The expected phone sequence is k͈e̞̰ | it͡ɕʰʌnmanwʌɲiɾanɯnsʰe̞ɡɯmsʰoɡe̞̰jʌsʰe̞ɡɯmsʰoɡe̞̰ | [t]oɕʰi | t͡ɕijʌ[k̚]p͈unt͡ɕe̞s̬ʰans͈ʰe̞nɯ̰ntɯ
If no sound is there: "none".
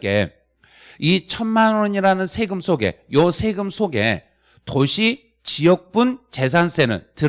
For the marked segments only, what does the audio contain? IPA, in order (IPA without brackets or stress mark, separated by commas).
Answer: t, k̚